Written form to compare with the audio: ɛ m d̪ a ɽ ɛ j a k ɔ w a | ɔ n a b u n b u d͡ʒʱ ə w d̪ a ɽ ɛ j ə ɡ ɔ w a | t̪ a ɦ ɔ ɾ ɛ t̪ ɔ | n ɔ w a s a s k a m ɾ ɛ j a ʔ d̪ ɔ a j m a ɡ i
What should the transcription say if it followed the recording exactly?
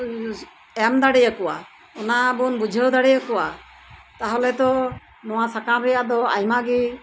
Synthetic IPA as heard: ɛ m d̪ a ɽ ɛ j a k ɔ w a | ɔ n a b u n b u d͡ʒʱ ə w d̪ a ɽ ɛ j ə k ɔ w a | t̪ a ɦ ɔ l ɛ t̪ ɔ | n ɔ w a s a k a m ɾ ɛ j a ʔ d̪ ɔ a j m a ɡ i

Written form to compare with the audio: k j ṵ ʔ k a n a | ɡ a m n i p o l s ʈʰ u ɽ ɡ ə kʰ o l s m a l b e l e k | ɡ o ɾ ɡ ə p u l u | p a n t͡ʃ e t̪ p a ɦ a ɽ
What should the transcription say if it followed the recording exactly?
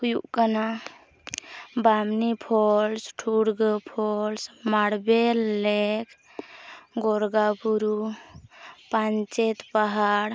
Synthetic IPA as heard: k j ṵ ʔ k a n a | b a m n i pʰ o l s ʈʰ u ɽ ɡ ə pʰ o l s m a ɽ b e l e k | ɡ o ɾ ɡ a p u ɾ u | p a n t͡ʃ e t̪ p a ɦ a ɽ

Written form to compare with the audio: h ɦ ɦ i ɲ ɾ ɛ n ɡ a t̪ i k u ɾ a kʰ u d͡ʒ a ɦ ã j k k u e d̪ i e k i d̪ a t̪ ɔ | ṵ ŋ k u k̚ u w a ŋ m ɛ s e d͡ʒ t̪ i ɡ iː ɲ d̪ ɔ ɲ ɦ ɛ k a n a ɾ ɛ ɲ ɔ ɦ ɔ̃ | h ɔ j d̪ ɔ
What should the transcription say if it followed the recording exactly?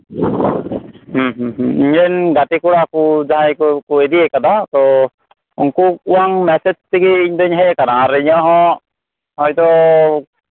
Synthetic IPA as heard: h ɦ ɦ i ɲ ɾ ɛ n ɡ a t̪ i k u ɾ a k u d͡ʒ a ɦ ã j k k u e d̪ i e k a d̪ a t̪ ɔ | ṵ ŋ k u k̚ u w a ŋ m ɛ s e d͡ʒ t̪ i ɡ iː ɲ d̪ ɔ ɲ ɦ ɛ k a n a ɾ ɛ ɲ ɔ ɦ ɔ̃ | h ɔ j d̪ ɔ

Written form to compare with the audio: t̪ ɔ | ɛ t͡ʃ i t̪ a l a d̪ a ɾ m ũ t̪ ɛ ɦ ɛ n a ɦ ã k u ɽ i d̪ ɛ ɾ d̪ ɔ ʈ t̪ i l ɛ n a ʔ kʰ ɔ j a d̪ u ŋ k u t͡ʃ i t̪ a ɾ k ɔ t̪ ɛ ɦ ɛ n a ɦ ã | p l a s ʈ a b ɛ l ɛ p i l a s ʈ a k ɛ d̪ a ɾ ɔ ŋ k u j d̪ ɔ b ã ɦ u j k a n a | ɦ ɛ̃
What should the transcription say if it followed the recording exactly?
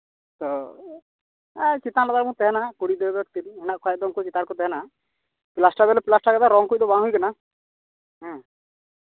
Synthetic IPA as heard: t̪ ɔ | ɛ t͡ʃ i t̪ a l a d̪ a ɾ m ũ t̪ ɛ ɦ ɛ n a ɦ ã k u ɽ i d̪ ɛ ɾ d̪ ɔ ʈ t̪ i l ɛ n a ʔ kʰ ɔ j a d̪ ɔ ŋ k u t͡ʃ i t̪ a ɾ k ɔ t̪ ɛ ɦ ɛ n a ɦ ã | p l a s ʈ a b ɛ l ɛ p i l a s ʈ a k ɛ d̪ a ɾ ɔ ŋ k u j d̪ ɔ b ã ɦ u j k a n a | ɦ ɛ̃

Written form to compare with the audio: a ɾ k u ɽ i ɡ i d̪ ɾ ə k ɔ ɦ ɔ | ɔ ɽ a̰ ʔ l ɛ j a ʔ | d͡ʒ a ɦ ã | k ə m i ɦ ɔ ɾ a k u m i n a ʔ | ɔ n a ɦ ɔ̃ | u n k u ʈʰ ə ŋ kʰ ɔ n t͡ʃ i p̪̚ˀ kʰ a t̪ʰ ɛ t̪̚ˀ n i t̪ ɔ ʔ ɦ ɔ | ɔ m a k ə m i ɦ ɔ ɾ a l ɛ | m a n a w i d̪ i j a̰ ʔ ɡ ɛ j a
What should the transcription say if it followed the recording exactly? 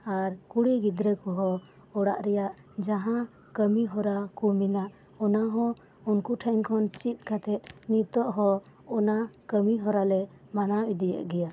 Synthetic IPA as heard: a ɾ k u ɽ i ɡ i d̪ ɾ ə k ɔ ɦ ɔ | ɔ ɽ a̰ ʔ ɾ ɛ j a ʔ | d͡ʒ a ɦ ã | k ə m i ɦ ɔ ɾ a k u m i n a ʔ | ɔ n a ɦ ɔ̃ | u n k u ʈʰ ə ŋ kʰ ɔ n t͡ʃ i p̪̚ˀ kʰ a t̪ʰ ɛ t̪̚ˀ n i t̪ ɔ ʔ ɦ ɔ | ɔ n a k ə m i ɦ ɔ ɾ a l ɛ | m a n a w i d̪ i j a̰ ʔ ɡ ɛ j a

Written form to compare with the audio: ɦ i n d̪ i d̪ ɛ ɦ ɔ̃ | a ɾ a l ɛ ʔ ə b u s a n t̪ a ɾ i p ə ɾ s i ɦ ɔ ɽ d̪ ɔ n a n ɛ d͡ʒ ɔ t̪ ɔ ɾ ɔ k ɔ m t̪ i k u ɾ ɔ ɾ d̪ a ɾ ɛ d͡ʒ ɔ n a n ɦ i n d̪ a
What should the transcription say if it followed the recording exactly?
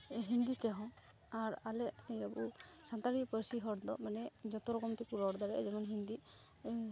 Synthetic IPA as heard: ɦ i n d̪ i t̪ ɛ ɦ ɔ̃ | a ɾ a l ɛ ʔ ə b u s a n t̪ a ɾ i p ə ɾ s i ɦ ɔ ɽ d̪ ɔ m a n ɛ d͡ʒ ɔ t̪ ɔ ɾ ɔ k ɔ m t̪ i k u ɾ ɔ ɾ d̪ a ɾ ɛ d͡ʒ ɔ m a n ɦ i n d̪ i

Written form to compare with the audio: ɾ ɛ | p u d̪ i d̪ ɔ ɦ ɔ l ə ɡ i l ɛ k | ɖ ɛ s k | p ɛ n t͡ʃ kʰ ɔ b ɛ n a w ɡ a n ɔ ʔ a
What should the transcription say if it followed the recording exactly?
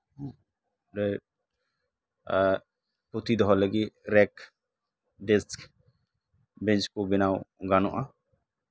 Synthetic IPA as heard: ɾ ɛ | p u t̪ i d̪ ɔ ɦ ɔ l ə ɡ i ɾ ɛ k | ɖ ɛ s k | b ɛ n t͡ʃ k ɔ b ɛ n a w ɡ a n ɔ ʔ a

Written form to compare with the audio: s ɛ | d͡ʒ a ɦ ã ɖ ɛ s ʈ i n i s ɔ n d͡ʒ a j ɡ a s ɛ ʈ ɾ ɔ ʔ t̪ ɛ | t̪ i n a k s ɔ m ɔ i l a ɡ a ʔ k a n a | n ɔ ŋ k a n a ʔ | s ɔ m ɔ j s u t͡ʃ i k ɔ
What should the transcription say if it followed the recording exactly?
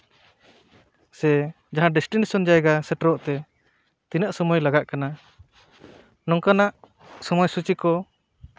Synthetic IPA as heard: s ɛ | d͡ʒ a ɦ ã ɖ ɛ s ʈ i n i s ɔ n d͡ʒ a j ɡ a s ɛ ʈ ɾ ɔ ʔ t̪ ɛ | t̪ i n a ʔ s ɔ m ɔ j l a ɡ a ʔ k a n a | n ɔ ŋ k a n a ʔ | s ɔ m ɔ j s u t͡ʃ i k ɔ

